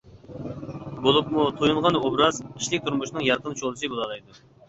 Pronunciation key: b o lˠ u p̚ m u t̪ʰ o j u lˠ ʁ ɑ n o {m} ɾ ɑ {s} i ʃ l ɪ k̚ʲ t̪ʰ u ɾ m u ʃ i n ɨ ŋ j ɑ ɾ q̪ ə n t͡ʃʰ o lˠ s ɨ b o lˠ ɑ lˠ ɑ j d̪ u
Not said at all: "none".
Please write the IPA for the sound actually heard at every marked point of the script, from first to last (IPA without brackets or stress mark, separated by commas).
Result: b, z